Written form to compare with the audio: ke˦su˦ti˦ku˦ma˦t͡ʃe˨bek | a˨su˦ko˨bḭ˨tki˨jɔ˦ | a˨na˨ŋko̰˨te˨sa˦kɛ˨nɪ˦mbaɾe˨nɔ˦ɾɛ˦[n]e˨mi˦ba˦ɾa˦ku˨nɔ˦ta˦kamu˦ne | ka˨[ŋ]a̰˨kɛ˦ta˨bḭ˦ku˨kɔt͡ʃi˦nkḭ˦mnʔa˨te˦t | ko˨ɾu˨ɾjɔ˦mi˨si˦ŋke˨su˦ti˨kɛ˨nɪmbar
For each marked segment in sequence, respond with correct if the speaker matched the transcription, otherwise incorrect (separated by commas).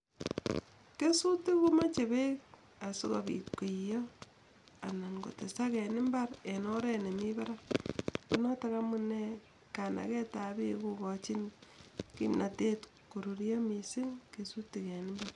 correct, incorrect